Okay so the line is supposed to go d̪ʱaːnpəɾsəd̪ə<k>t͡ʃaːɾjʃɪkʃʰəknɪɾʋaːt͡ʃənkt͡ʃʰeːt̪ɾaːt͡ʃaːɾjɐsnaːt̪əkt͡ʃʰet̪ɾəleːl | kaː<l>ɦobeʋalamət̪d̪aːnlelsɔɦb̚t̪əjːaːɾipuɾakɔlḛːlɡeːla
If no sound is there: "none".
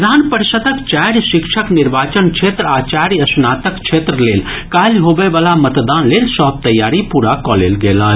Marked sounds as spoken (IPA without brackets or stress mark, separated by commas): k, l